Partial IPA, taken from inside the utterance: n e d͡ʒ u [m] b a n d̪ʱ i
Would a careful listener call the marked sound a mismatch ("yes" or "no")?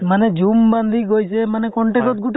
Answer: no